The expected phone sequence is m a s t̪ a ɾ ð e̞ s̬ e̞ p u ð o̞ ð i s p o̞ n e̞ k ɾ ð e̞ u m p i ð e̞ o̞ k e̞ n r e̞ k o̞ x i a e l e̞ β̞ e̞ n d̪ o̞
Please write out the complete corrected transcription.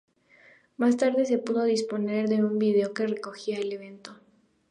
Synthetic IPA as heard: m a s t̪ a ɾ ð e̞ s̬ e̞ p u ð o̞ ð i s p o̞ n e̞ ɾ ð e̞ u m b i ð e̞ o̞ k e̞ r e̞ k o̞ x i a e l e̞ β̞ e̞ n t̪ o̞